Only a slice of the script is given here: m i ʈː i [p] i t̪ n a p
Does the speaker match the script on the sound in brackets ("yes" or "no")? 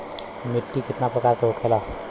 no